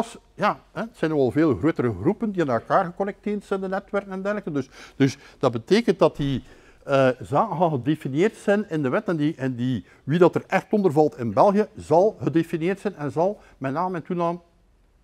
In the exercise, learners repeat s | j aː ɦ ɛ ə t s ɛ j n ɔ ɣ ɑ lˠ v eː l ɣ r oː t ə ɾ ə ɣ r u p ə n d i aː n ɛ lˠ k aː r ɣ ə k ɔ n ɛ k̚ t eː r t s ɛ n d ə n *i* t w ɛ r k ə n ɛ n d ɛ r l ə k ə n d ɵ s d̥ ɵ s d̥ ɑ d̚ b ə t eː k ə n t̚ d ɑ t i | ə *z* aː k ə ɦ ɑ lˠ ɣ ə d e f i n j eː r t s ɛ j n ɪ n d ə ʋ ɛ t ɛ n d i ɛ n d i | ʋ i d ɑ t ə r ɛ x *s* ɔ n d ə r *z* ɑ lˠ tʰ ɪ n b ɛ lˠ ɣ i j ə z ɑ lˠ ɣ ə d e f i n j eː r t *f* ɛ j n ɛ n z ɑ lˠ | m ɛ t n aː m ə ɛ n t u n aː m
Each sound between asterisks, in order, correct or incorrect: incorrect, correct, incorrect, incorrect, incorrect

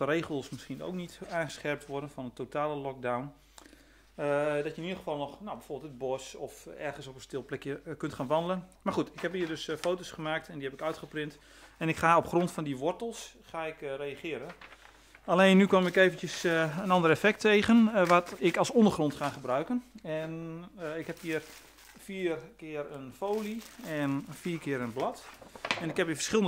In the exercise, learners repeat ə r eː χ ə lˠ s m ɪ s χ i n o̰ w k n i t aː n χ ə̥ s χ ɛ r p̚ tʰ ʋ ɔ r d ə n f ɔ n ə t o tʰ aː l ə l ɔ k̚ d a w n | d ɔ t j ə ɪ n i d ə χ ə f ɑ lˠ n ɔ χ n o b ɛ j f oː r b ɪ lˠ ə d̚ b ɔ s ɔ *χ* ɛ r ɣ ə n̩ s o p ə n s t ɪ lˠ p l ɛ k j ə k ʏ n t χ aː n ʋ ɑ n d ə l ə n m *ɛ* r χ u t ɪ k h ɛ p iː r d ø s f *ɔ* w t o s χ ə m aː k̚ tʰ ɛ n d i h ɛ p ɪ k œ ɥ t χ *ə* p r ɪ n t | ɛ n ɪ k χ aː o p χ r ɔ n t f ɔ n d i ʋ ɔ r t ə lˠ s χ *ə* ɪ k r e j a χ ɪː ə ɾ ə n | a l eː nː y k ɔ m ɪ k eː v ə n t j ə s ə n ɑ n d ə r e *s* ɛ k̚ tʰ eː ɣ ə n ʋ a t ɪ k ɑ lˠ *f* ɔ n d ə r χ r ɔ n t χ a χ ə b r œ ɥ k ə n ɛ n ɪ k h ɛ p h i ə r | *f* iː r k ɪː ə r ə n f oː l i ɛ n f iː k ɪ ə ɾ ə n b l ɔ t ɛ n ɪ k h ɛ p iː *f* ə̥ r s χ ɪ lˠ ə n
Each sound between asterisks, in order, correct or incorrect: incorrect, incorrect, incorrect, correct, incorrect, incorrect, incorrect, correct, correct

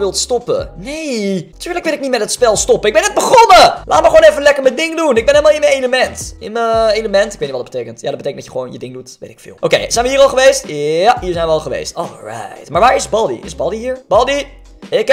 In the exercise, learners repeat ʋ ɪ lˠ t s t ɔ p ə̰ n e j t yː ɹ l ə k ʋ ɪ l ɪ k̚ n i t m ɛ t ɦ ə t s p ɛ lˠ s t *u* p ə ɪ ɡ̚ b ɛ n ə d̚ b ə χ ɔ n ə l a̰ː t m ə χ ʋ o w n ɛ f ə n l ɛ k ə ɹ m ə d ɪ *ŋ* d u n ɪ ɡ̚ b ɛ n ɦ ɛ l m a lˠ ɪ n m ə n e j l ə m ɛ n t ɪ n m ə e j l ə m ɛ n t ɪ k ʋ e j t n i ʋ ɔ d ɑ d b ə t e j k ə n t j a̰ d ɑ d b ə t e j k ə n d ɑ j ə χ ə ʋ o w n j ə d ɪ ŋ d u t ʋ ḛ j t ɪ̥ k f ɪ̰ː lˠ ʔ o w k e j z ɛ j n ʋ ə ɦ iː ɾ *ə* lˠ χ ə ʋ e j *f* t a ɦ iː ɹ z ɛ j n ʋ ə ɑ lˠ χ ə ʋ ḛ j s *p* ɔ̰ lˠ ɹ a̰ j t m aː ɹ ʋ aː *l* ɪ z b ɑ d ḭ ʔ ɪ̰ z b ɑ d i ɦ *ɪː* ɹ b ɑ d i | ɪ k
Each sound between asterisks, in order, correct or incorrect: incorrect, correct, incorrect, incorrect, incorrect, incorrect, incorrect

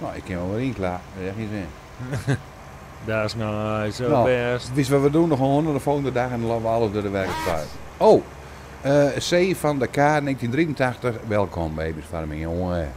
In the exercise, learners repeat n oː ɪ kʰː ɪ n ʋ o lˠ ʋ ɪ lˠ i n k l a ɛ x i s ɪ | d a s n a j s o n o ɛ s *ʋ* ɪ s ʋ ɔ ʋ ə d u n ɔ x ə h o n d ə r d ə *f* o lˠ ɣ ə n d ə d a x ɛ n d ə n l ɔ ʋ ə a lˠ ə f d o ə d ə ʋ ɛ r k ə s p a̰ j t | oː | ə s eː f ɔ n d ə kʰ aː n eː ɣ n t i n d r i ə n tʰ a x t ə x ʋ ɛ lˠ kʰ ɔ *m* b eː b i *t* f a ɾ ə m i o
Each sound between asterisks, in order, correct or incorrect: correct, correct, correct, incorrect

